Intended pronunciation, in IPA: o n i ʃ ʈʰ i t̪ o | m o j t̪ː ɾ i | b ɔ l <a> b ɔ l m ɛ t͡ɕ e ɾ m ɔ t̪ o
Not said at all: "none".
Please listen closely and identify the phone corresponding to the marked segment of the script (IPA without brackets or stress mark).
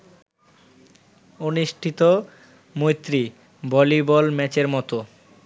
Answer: i